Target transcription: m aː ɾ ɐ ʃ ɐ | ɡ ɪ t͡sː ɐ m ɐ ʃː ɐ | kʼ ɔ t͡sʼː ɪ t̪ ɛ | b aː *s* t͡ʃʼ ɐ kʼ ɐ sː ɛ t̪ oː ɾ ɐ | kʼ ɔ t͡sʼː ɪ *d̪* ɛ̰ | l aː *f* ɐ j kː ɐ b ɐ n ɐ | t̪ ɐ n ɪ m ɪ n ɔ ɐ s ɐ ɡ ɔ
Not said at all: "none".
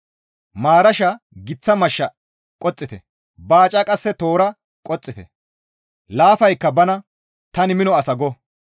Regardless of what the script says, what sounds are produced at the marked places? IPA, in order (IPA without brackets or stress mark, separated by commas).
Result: none, t̪, f